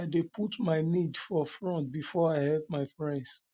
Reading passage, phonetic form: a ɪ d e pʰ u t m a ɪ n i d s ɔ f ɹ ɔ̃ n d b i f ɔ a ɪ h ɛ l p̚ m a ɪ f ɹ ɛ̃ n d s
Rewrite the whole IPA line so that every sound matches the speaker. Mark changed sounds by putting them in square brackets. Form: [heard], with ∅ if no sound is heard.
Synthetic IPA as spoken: a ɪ d e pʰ u t m a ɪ n i d [f] ɔ f ɹ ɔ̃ n [t] b i f ɔ a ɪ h ɛ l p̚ m a ɪ f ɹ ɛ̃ n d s